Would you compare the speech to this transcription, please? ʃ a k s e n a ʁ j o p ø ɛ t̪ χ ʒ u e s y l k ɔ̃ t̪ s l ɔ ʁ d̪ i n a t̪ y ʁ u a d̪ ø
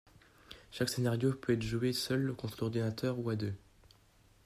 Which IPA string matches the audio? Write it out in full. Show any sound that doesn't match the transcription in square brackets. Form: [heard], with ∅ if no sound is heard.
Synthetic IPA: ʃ a k s e n a ʁ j o p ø ɛ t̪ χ ʒ u e s [œ] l k ɔ̃ t̪ [χ] l ɔ ʁ d̪ i n a t̪ [œ] ʁ u a d̪ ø